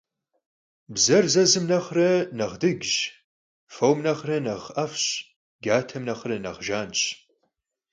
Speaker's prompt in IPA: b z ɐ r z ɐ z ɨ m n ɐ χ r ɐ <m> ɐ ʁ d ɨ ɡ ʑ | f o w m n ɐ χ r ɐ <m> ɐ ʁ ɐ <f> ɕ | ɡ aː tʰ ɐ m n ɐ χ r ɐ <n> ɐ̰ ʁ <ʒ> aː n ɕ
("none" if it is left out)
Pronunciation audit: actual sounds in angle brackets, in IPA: n, n, f, n, ʒ

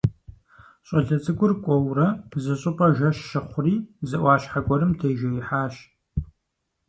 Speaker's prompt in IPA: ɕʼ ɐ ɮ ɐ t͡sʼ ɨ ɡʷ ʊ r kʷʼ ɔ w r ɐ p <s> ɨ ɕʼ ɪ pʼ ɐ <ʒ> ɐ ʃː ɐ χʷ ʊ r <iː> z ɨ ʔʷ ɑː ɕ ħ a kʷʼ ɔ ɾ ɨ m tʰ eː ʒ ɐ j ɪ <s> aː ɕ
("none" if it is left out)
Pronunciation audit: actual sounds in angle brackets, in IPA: z, ʒ, iː, ħ

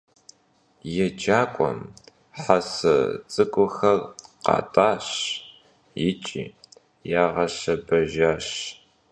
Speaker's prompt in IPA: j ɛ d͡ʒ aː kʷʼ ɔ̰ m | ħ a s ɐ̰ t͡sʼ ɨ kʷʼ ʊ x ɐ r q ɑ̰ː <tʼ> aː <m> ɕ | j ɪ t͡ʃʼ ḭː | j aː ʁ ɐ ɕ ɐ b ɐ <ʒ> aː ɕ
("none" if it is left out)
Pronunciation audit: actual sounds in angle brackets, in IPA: tʼ, none, ʒ

